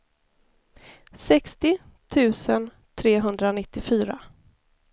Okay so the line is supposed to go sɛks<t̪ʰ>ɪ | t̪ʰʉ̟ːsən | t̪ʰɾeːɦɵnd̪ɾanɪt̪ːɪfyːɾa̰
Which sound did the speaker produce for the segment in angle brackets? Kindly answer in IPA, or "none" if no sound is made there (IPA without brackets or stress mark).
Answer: t̪